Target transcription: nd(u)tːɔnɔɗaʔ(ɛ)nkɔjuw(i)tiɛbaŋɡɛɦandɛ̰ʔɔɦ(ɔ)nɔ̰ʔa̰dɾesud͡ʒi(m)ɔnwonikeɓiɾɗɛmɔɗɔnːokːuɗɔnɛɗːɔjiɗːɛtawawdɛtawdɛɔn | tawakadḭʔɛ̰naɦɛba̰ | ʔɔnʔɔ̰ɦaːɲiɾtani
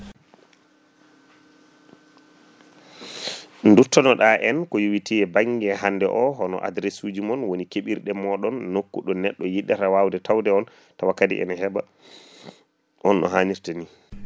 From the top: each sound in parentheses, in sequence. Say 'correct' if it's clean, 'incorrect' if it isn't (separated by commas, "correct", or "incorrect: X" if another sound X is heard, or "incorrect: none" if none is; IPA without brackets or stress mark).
correct, correct, correct, correct, correct